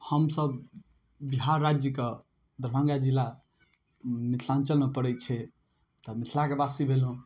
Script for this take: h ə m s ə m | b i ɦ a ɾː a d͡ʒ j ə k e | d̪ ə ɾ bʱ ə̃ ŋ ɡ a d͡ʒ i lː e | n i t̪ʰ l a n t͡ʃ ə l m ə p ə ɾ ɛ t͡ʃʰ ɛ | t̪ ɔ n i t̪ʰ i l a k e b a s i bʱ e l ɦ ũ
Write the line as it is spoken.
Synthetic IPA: h ə m s ə b | b i ɦ a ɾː a d͡ʒ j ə k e | d̪ ə ɾ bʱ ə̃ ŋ ɡ a d͡ʒ i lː a | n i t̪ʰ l a n t͡ʃ ə l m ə p ə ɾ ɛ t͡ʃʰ ɛ | t̪ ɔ m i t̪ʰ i l a k e b a s i bʱ e l ɦ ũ